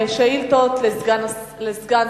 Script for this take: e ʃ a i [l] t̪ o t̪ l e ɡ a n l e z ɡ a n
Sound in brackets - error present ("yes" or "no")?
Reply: no